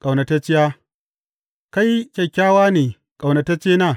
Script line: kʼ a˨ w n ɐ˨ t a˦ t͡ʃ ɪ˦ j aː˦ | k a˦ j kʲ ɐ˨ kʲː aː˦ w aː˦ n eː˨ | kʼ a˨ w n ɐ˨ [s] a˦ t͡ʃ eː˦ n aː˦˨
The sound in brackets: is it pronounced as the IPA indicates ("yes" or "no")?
no